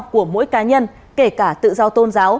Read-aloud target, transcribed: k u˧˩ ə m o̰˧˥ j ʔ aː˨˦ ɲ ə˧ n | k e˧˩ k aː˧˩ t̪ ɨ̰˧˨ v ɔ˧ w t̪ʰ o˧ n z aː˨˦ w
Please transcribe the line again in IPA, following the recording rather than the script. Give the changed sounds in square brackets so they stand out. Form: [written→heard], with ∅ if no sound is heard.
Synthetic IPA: k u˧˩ ə m o̰˧˥ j [ʔ→k] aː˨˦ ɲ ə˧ n | k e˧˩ k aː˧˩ t̪ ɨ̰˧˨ [v→z] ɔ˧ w [t̪ʰ→t̪] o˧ n z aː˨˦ w

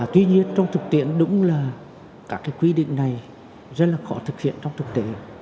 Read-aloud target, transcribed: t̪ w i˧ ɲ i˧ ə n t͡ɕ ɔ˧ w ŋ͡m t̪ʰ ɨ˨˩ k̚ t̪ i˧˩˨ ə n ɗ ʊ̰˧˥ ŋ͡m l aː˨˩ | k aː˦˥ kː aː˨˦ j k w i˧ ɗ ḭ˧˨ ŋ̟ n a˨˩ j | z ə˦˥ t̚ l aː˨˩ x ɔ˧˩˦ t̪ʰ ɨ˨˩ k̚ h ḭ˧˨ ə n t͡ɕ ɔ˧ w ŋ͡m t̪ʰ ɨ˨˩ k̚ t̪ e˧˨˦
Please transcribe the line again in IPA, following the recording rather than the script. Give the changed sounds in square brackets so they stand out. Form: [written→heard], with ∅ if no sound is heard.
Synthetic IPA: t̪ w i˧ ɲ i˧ ə n t͡ɕ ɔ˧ w ŋ͡m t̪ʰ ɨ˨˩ k̚ t̪ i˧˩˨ ə n ɗ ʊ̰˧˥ ŋ͡m l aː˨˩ | k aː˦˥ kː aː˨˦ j k w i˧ ɗ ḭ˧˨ ŋ̟ n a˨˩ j | z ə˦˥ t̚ l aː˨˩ x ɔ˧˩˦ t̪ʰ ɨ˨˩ k̚ h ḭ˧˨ ə n t͡ɕ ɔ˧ w ŋ͡m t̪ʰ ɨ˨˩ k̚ t̪ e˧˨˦

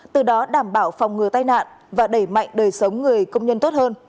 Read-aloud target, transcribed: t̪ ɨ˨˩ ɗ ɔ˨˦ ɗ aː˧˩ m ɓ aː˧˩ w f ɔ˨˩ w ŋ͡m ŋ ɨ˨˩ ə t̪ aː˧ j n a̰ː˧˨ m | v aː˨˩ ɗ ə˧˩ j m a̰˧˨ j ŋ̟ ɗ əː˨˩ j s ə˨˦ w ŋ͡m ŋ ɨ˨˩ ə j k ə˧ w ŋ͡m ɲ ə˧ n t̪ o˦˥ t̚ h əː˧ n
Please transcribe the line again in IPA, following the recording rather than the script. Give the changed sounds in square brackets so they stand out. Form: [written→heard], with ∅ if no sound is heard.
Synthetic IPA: t̪ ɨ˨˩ ɗ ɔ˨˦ ɗ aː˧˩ m ɓ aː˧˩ w f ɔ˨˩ w ŋ͡m ŋ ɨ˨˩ ə t̪ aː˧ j n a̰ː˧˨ [m→n] | v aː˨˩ ɗ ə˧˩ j m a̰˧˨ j ŋ̟ ɗ əː˨˩ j s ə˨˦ w ŋ͡m ŋ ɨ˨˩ ə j k ə˧ w ŋ͡m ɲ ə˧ n t̪ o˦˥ t̚ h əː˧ n

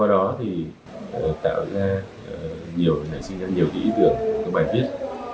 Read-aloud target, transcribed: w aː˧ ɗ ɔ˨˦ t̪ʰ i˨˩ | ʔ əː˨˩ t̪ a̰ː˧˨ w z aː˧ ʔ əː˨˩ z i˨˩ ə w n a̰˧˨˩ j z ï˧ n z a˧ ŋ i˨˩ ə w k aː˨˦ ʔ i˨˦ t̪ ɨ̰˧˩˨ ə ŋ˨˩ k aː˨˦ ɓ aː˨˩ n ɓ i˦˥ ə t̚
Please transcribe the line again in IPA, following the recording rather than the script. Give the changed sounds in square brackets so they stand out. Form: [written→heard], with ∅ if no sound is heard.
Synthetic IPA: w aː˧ ɗ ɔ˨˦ t̪ʰ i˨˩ | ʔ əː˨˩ t̪ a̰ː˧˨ w z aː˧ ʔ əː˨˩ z i˨˩ ə w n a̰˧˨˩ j [z→s] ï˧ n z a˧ [ŋ→ɲ] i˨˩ ə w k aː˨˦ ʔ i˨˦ t̪ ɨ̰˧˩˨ ə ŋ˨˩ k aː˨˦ ɓ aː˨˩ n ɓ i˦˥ ə t̚

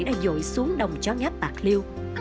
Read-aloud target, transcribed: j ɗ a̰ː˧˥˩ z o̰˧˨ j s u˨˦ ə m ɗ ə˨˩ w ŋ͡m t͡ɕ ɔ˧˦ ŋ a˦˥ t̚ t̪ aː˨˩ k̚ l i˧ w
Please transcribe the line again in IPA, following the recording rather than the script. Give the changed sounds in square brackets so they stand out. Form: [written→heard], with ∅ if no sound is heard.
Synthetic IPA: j ɗ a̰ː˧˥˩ z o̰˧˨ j s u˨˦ ə [m→ŋ] ɗ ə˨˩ w ŋ͡m t͡ɕ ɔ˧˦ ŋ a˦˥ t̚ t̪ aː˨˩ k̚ l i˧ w

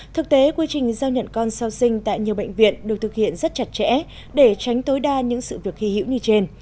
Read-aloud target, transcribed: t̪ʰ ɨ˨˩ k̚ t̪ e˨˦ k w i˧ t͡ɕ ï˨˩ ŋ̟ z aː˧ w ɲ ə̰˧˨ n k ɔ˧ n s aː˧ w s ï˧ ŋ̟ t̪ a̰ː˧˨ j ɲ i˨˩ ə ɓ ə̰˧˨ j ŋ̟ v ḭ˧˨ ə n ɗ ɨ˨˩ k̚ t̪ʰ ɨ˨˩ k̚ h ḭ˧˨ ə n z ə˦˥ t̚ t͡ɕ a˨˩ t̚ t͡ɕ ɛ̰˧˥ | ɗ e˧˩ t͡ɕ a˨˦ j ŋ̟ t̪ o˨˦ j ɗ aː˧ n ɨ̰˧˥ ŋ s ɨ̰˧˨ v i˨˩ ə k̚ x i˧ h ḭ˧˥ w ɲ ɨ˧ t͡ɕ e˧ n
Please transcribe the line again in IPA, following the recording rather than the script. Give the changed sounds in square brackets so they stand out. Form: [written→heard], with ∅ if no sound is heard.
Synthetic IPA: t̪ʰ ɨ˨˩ k̚ t̪ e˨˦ k w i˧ t͡ɕ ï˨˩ ŋ̟ z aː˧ w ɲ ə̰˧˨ n k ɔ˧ n s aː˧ w s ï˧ ŋ̟ t̪ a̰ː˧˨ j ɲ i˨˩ ə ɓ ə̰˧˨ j ŋ̟ v ḭ˧˨ ə n ɗ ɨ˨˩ k̚ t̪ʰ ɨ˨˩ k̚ h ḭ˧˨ ə n z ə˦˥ t̚ t͡ɕ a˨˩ t̚ t͡ɕ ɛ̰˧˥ | ɗ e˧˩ t͡ɕ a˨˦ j ŋ̟ t̪ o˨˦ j ɗ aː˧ [n→ɲ] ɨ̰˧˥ ŋ s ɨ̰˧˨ v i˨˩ ə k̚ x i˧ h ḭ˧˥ w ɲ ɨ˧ t͡ɕ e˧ n

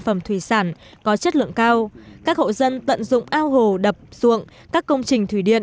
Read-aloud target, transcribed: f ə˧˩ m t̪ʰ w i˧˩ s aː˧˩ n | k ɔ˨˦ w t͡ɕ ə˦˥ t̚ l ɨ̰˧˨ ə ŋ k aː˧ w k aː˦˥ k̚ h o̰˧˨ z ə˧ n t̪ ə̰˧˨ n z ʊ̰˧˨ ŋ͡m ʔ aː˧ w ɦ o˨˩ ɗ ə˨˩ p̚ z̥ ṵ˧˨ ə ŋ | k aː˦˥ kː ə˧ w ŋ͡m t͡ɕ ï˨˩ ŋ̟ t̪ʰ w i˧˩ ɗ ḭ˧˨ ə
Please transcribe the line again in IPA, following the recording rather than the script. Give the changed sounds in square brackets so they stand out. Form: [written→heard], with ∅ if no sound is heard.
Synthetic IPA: f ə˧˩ m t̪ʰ w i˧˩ s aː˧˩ n | k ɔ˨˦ [w→∅] t͡ɕ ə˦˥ t̚ l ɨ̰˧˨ ə ŋ k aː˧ w k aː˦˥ k̚ h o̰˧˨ z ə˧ n t̪ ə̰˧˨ n z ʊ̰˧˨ ŋ͡m ʔ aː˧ w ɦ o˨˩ ɗ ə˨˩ p̚ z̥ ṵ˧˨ ə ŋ | k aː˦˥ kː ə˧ w ŋ͡m t͡ɕ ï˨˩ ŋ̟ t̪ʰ w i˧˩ ɗ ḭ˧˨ ə

